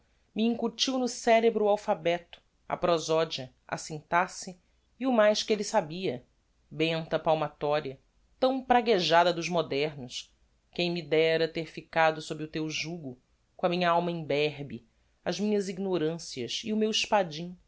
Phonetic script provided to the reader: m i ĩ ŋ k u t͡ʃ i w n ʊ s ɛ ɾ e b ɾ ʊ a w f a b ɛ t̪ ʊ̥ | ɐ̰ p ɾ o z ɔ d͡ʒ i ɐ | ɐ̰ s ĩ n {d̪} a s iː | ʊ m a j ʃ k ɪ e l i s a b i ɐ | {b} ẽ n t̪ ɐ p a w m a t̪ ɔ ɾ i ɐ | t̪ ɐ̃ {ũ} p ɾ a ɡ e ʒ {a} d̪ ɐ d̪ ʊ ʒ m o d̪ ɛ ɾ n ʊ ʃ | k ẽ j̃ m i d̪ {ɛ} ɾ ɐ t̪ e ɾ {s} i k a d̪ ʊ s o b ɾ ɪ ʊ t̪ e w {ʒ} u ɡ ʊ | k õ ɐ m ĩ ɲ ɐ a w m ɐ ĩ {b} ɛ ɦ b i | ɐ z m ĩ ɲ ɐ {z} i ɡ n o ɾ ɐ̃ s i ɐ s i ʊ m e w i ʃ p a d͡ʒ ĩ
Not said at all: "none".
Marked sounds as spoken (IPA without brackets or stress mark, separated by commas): t̪, b, w̃, a, ɛ, f, ʒ, b, z